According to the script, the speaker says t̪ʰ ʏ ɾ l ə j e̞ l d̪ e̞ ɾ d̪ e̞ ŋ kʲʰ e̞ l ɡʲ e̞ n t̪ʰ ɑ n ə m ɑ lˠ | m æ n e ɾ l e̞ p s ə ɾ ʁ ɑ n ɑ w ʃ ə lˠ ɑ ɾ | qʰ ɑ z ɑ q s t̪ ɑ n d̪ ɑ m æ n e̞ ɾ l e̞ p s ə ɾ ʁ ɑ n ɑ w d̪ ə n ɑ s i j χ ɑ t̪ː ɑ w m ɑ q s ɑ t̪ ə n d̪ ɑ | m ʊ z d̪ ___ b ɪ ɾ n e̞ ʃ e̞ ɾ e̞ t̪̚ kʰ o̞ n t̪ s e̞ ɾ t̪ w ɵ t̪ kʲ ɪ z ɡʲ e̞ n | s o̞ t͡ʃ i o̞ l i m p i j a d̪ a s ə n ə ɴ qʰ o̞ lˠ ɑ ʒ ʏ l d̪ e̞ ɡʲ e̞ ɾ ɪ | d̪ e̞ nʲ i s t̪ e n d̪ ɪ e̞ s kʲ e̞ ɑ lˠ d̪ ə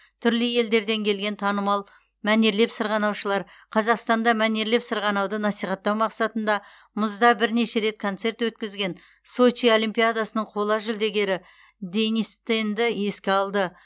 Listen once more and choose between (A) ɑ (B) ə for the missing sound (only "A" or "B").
A